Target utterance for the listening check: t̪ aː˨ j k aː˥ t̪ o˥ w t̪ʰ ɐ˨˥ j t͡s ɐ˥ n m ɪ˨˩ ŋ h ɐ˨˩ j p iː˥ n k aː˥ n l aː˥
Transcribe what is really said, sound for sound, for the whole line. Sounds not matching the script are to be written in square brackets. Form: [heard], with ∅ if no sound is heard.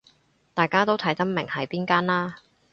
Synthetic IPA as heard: t̪ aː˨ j k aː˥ t̪ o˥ w t̪ʰ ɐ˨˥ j t͡s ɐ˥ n m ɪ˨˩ ŋ h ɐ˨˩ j p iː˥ n k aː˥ n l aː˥